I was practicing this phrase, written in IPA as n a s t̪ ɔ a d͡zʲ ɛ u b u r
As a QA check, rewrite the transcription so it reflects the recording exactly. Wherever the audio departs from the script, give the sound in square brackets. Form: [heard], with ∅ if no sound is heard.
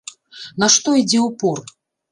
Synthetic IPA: n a [ʂ] t̪ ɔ [i] d͡zʲ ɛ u [p] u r